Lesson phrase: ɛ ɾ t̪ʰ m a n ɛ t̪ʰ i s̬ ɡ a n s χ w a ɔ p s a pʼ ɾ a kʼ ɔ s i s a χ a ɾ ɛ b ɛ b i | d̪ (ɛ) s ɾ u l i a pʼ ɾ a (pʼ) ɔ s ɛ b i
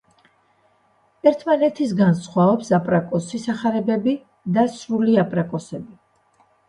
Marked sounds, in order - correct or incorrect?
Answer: incorrect: a, incorrect: kʼ

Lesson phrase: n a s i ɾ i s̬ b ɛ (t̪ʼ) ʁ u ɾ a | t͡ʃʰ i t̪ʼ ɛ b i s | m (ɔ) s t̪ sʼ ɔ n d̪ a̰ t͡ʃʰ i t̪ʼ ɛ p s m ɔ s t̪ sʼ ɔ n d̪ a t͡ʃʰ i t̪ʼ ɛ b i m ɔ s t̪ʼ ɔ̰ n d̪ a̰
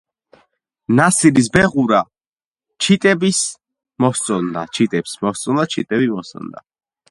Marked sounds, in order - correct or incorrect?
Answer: incorrect: none, correct

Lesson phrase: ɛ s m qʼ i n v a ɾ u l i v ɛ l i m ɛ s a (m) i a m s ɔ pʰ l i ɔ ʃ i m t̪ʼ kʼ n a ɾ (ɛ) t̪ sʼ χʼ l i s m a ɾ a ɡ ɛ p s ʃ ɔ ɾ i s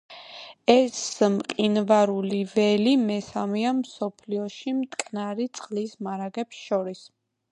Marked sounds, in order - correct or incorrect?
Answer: correct, incorrect: i

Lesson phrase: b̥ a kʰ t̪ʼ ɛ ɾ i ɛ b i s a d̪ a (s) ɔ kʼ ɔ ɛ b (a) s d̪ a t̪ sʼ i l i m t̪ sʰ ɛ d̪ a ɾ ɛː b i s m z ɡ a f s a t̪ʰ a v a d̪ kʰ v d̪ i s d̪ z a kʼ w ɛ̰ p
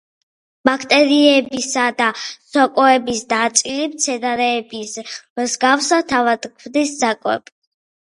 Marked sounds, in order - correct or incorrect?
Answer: correct, incorrect: i

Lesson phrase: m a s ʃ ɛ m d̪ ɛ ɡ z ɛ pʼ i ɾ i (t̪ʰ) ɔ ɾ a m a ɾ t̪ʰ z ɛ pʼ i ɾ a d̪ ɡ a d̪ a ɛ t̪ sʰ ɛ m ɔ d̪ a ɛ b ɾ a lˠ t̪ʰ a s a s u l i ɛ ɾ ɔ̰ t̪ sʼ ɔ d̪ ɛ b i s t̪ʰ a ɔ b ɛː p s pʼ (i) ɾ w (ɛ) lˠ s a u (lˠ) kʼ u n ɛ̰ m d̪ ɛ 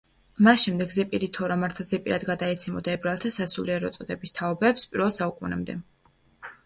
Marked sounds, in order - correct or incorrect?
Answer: correct, correct, correct, incorrect: none

